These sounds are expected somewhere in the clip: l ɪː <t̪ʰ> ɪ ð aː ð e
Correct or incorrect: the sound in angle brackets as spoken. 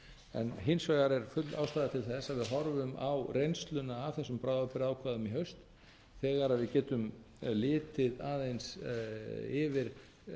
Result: incorrect: t̪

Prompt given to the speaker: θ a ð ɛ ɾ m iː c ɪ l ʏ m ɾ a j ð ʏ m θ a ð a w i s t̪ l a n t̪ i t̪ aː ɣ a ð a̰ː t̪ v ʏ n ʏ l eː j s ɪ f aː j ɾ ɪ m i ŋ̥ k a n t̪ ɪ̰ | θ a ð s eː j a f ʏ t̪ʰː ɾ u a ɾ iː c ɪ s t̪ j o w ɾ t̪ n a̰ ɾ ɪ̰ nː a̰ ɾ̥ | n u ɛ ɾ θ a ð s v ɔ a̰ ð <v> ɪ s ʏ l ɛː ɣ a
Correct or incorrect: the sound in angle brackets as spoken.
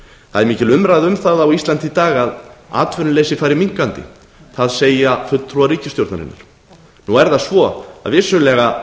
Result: correct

